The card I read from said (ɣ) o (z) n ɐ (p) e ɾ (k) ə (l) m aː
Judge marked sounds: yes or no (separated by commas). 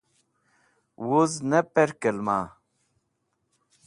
no, yes, yes, yes, yes